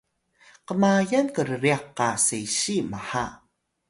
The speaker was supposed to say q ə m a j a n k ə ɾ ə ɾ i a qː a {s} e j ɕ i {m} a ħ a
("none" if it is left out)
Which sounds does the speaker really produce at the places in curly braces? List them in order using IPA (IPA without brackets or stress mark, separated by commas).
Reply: s, m